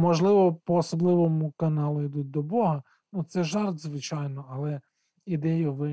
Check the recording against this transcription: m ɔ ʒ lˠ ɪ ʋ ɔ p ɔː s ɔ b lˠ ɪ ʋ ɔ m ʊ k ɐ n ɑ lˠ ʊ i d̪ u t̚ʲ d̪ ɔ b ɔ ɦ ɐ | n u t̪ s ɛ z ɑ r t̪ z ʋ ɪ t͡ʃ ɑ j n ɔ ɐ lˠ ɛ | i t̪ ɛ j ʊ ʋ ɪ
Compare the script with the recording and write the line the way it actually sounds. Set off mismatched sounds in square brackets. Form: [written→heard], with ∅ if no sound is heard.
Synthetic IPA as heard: m ɔ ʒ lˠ ɪ ʋ ɔ p ɔː s ɔ b lˠ ɪ ʋ ɔ m ʊ k ɐ n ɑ lˠ ʊ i d̪ u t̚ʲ d̪ ɔ b ɔ ɦ ɐ | n u t̪ s ɛ [z→ʒ] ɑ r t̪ z ʋ ɪ t͡ʃ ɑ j n ɔ ɐ lˠ ɛ | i [t̪→d̪] ɛ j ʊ ʋ ɪ